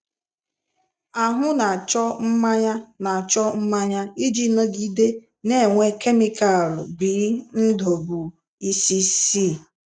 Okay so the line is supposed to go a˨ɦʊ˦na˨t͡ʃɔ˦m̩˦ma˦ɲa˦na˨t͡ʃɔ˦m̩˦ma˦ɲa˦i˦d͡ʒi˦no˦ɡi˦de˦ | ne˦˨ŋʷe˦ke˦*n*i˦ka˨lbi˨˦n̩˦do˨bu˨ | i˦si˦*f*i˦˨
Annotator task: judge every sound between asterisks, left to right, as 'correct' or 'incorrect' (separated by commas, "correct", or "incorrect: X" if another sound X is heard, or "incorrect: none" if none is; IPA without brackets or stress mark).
incorrect: m, incorrect: s